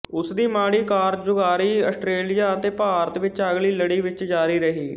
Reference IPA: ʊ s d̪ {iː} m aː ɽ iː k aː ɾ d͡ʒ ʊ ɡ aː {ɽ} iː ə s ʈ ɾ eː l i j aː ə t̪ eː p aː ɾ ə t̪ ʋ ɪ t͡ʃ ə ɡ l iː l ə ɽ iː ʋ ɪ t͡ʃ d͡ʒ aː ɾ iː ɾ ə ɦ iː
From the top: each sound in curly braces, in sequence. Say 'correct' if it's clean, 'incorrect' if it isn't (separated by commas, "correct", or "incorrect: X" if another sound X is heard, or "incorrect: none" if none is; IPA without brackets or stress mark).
correct, incorrect: ɾ